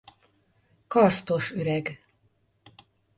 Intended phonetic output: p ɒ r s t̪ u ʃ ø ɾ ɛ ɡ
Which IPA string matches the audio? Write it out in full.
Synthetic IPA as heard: k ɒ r s t̪ o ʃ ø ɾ ɛ ɡ

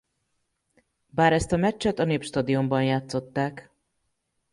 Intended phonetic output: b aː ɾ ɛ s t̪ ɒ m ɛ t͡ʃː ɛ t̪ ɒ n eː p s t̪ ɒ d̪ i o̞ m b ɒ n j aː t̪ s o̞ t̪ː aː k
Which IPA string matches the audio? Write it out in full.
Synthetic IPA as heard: b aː ɾ ɛ s t̪ ɒ m ɛ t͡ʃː ɛ t̪ ɒ n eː p ʃ t̪ ɒ d̪ i o̞ m b ɒ n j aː t̪ s o̞ t̪ː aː k

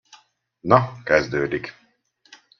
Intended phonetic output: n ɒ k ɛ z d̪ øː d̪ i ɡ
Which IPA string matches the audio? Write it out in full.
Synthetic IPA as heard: n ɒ k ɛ z d̪ øː d̪ i k

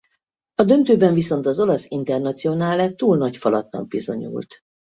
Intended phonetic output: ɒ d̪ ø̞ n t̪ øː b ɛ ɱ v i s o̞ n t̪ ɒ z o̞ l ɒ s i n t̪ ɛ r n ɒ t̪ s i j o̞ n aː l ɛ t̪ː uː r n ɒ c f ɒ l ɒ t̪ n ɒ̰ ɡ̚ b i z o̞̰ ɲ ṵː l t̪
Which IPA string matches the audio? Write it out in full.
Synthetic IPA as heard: ɒ d̪ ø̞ n t̪ øː b ɛ ɱ v i s o̞ n t̪ ɒ z o̞ l ɒ s i n t̪ ɛ r n ɒ t̪ s i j o̞ n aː l ɛ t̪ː uː l n ɒ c f ɒ l ɒ t̪ n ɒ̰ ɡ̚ b i z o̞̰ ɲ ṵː l t̪

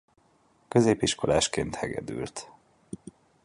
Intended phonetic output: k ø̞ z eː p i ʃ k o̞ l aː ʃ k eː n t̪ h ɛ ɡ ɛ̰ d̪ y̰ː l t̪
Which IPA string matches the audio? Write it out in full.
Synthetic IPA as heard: k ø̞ z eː p i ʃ k o̞ l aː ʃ k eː n t̪ h ɛ ɡ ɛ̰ d̪ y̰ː l t̪

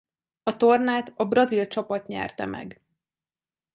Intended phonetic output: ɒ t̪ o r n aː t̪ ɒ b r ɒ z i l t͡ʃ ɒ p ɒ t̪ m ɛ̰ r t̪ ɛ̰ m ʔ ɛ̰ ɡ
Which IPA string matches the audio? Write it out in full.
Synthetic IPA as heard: ɒ t̪ o r n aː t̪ ɒ b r ɒ z i l t͡ʃ ɒ p ɒ t̪ ɲ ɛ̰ r t̪ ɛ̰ m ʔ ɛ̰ ɡ

